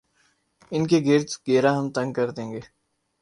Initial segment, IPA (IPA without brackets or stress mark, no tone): ɪ